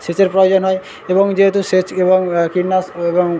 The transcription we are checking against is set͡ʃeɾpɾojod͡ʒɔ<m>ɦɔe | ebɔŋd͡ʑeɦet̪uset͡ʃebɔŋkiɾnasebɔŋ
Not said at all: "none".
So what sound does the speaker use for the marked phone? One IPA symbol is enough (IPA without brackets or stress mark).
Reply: n